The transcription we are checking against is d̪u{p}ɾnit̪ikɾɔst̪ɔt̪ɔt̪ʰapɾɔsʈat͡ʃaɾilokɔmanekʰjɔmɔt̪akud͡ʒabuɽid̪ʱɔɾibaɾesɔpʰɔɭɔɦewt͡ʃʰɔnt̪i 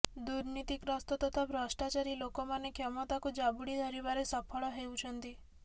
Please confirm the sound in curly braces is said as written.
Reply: no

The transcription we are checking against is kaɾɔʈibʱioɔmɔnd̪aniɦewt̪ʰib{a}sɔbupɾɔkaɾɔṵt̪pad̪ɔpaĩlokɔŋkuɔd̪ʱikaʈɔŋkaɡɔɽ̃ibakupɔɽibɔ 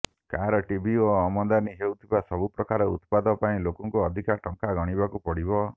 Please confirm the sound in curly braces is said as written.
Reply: yes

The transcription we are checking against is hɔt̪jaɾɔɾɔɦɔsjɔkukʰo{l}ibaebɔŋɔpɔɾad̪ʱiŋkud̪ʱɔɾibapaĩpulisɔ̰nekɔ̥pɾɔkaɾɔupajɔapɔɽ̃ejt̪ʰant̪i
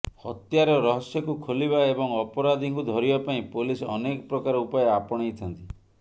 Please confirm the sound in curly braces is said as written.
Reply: yes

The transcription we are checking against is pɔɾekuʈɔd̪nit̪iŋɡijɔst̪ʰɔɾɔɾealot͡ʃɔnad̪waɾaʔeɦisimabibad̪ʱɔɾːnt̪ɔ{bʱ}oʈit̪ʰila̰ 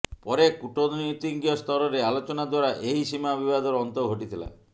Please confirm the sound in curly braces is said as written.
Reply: no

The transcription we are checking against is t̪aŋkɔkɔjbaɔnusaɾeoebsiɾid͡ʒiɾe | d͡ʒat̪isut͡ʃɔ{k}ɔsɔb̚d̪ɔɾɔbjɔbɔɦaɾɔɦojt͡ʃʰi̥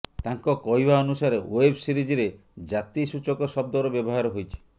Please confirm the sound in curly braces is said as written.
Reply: yes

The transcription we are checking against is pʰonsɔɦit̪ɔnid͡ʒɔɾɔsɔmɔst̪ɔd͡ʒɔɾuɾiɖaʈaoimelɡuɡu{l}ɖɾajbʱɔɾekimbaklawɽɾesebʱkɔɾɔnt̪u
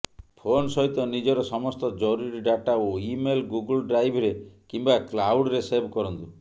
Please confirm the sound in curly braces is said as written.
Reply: yes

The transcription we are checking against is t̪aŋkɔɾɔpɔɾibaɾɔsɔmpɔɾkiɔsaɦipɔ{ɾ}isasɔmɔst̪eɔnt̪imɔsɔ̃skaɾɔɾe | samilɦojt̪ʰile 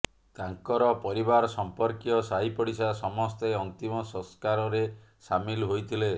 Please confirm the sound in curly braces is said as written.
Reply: no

